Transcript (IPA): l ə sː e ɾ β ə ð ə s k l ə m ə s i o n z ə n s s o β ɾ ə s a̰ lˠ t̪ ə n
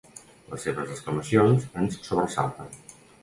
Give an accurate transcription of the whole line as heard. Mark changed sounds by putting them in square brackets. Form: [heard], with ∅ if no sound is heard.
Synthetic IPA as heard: l ə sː e [∅] β ə [z] ə s k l ə m ə s i o n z ə n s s o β ɾ ə s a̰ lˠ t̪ ə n

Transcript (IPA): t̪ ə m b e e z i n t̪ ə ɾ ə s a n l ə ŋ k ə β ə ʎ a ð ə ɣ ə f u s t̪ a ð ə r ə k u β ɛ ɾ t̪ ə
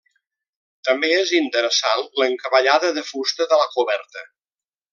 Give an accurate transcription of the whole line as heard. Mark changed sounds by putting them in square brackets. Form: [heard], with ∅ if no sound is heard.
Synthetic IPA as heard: t̪ ə m b e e z i n t̪ ə ɾ ə s a n l ə ŋ k ə β ə ʎ a ð ə [ð] ə f u s t̪ [ə] ð ə [l] ə k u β ɛ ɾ t̪ ə

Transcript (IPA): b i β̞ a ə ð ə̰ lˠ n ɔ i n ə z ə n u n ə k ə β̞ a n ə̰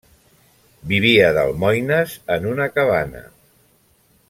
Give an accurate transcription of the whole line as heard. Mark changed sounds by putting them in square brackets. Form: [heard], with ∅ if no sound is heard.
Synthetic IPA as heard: b i β̞ [i] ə ð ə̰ lˠ [m] ɔ [j] n ə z ə n u n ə k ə β̞ a n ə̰

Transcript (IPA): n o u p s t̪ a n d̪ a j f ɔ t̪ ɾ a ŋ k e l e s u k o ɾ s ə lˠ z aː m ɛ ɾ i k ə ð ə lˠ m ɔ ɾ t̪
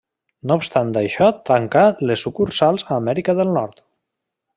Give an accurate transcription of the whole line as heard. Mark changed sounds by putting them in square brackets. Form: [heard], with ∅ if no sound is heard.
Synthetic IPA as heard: n o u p s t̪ a n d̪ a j [ʃ] ɔ t̪ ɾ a ŋ k [a] l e s u k [u] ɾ s [a] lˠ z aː m ɛ ɾ i k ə ð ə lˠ [n] ɔ ɾ t̪

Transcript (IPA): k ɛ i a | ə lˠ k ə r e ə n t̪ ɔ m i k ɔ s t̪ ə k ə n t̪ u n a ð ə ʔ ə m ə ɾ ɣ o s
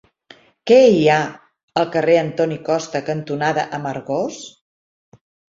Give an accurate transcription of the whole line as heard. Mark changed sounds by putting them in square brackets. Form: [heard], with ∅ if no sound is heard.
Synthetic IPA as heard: k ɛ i a | ə lˠ k ə r e ə n t̪ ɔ [n] i k ɔ s t̪ ə k ə n t̪ u n a ð ə ʔ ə m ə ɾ ɣ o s

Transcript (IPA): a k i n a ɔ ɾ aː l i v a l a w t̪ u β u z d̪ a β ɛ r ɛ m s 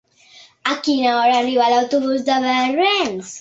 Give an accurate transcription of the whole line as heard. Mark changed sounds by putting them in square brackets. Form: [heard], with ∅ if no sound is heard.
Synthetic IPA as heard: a k i n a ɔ ɾ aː [r] i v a l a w t̪ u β u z d̪ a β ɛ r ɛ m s

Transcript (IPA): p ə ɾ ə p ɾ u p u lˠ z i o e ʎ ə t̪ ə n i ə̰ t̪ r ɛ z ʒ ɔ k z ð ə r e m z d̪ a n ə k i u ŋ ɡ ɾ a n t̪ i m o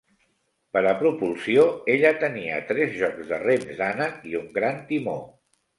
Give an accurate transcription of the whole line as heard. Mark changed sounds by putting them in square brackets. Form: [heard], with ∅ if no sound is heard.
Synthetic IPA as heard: p ə ɾ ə p ɾ u p u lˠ [s] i o e ʎ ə t̪ ə n i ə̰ t̪ [ɾ] ɛ z ʒ ɔ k z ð ə r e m z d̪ a n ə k i u ŋ ɡ ɾ a n t̪ i m o

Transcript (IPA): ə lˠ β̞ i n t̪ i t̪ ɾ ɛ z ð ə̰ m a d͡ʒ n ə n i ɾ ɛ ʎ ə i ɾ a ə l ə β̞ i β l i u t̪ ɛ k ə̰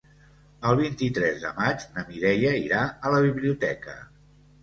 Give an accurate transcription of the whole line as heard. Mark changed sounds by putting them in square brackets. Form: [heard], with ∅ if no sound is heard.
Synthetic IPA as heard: ə lˠ β̞ i n t̪ i t̪ ɾ ɛ z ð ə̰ m a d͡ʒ n ə [m] i ɾ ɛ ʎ ə i ɾ a ə l ə β̞ i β l i u t̪ ɛ k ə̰

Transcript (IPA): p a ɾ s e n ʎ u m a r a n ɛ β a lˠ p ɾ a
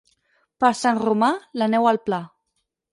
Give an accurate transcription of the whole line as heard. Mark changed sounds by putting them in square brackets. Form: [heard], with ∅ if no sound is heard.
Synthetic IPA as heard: p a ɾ s [a] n [r] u m a [l] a n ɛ [w] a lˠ p [l] a

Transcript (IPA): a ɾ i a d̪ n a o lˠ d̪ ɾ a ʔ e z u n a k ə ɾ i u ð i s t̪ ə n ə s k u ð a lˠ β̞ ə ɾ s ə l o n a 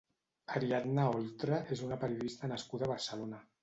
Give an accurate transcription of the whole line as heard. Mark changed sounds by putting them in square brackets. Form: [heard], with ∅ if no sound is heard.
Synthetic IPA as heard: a ɾ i a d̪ n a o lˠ [t̪] ɾ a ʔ e z u n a [p] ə ɾ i u ð i s t̪ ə n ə s k u ð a [∅] β̞ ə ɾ s ə l o n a

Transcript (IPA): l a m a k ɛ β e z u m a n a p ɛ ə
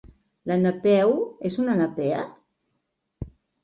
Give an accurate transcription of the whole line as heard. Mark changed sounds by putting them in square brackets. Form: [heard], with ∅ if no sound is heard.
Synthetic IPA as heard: l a [n] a [p] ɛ [w] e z u [n] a n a p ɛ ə

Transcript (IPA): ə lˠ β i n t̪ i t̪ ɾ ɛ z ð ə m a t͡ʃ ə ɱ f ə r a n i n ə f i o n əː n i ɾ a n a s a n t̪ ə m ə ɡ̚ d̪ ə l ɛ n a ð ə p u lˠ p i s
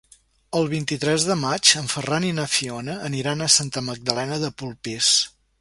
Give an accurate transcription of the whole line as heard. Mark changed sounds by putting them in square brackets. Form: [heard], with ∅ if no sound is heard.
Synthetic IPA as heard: ə lˠ β i n t̪ i t̪ ɾ ɛ z ð ə m a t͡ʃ ə ɱ f ə r a n i n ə f i o n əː n i ɾ a n [ə] s a n t̪ ə m ə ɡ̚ d̪ ə l ɛ n [ə] ð ə p u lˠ p i s

